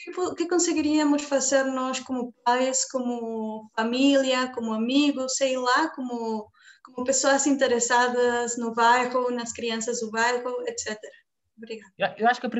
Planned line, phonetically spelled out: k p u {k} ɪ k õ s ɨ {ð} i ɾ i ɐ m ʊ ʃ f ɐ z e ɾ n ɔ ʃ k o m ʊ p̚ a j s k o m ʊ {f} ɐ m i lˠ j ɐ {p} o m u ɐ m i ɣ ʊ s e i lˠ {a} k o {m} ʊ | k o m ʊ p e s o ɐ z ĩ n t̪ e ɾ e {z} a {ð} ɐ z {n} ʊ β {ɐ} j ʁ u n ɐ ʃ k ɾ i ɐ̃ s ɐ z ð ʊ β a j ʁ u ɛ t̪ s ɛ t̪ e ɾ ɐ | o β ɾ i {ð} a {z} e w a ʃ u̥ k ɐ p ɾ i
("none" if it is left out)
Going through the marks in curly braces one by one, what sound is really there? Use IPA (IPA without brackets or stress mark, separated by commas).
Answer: k, ɣ, f, k, a, m, s, ð, n, a, ɣ, ð